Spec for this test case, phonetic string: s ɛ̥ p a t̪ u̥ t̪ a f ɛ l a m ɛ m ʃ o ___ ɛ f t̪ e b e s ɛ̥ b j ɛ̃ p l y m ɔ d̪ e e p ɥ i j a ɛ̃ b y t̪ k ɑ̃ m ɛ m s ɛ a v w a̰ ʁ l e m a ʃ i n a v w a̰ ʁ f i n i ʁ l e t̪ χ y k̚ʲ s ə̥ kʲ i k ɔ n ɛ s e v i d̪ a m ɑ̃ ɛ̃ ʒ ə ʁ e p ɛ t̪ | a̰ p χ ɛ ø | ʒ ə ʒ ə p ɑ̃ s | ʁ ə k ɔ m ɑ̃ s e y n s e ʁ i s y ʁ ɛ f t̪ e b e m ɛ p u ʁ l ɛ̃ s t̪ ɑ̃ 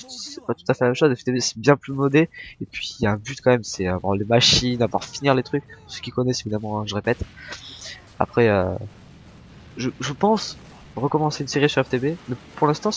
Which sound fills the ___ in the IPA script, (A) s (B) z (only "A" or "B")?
B